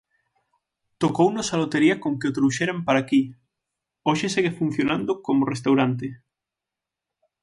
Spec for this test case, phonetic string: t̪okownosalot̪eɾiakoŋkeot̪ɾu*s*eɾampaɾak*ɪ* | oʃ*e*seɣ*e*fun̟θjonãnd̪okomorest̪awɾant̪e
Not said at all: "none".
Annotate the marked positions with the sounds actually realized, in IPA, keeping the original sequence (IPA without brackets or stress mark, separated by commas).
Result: ʃ, i, e, e